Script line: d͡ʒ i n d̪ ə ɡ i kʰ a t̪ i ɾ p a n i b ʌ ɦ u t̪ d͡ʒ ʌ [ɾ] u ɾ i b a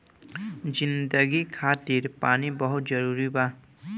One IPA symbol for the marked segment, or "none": ɾ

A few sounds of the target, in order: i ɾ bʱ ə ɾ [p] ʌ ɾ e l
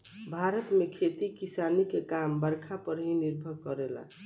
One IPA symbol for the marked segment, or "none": k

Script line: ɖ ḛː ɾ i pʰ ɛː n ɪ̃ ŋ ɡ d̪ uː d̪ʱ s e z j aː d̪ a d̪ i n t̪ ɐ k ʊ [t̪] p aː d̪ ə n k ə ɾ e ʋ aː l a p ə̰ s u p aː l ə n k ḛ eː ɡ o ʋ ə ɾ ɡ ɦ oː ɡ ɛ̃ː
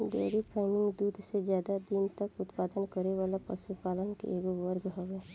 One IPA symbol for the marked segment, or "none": t̪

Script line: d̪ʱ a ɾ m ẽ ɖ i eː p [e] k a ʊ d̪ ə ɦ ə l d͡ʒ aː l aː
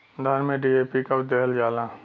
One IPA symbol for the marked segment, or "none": i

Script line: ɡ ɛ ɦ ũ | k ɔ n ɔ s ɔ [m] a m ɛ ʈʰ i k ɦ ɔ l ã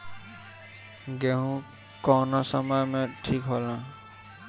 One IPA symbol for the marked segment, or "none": m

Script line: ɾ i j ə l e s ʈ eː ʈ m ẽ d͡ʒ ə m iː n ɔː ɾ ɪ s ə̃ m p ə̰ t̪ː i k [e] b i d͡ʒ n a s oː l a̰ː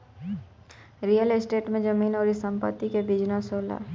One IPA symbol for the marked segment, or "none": e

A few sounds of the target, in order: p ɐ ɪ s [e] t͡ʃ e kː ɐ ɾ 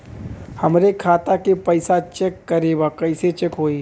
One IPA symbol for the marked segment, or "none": a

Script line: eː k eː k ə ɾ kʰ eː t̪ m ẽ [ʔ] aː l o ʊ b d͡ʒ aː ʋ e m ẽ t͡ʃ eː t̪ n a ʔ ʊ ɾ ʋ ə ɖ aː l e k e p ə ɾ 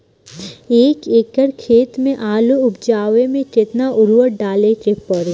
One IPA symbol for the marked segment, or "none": ʔ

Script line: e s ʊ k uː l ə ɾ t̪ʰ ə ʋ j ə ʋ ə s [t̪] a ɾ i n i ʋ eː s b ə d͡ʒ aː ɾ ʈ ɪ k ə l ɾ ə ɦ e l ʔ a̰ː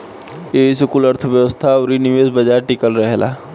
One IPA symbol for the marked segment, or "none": t̪ʰ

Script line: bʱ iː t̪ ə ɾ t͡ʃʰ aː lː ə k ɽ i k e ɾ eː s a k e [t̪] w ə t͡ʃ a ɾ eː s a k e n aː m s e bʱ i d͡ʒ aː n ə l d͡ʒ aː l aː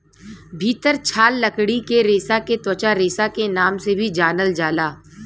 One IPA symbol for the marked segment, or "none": t̪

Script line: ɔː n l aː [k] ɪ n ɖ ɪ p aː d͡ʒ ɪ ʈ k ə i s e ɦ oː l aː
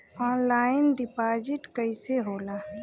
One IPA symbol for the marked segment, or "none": none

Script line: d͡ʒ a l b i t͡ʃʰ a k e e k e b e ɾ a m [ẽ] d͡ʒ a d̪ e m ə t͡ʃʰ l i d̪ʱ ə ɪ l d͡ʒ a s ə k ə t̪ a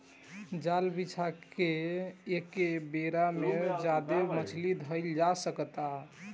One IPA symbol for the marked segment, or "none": e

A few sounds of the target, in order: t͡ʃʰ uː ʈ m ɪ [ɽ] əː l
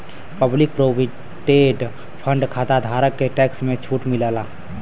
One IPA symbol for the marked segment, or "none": l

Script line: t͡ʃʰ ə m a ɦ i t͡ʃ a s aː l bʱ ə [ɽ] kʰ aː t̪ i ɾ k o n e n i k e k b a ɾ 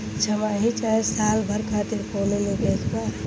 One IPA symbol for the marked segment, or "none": ɾ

